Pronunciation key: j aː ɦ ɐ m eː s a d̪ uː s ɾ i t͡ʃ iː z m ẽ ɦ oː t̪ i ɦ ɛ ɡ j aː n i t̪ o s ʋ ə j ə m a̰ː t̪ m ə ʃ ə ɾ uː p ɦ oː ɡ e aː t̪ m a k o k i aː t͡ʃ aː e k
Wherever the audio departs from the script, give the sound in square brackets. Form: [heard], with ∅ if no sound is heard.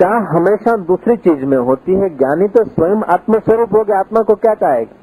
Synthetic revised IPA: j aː ɦ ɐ m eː [ʃ] a d̪ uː s ɾ i t͡ʃ iː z m ẽ ɦ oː t̪ i ɦ ɛ ɡ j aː n i t̪ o s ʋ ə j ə m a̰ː t̪ m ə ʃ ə ɾ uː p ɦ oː ɡ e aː t̪ m a k o k [j] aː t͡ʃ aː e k